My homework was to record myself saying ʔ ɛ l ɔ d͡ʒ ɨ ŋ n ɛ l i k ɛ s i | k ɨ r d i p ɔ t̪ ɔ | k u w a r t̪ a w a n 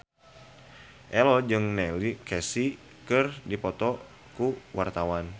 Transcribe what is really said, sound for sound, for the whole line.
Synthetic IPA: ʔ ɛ l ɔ d͡ʒ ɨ ŋ n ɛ l i k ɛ s i | k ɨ r d i p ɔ t̪ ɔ | k u w a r t̪ a w a n